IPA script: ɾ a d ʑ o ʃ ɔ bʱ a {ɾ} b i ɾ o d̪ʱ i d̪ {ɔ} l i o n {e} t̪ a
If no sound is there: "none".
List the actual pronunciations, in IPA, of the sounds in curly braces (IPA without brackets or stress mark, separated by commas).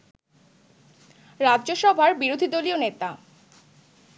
ɾ, o, e